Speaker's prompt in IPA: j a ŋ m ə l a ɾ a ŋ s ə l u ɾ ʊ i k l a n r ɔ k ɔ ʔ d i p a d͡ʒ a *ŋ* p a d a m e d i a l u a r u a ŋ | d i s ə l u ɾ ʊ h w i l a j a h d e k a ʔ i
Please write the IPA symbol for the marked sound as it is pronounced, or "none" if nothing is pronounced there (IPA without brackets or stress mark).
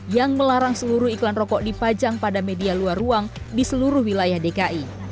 ŋ